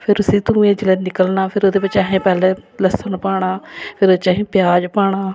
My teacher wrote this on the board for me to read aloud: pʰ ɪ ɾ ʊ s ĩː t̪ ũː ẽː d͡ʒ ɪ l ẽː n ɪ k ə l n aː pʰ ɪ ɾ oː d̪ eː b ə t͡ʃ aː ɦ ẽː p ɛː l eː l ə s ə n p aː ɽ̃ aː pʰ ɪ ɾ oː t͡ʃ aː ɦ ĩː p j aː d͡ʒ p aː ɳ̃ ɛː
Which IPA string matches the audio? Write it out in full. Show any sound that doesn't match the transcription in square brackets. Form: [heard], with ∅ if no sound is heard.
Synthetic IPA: pʰ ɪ ɾ ʊ s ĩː t̪ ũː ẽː d͡ʒ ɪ l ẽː n ɪ k ə l n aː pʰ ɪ ɾ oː d̪ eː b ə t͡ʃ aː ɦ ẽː p ɛː l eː l ə s ə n p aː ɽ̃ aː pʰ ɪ ɾ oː t͡ʃ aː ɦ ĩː p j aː d͡ʒ p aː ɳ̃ [aː]